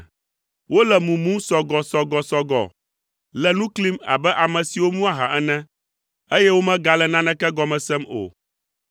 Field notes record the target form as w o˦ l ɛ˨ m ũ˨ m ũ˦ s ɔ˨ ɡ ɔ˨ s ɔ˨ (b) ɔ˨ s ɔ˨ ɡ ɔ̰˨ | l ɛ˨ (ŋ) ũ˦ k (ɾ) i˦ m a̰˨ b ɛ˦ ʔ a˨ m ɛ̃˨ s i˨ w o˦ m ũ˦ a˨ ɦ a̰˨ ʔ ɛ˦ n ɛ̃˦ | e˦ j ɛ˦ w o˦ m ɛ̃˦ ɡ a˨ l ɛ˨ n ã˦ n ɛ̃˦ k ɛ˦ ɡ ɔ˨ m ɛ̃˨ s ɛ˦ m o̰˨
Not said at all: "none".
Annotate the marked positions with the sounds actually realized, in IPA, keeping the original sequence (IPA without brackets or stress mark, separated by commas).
ɡ, n, l